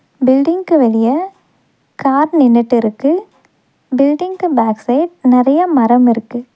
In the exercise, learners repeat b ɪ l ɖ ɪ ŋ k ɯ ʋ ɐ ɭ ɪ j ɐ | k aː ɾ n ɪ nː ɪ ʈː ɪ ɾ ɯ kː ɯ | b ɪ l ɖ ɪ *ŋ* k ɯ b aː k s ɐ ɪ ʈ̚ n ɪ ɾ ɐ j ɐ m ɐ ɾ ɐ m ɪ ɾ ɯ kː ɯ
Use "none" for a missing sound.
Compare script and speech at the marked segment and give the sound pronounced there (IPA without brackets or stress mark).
ŋ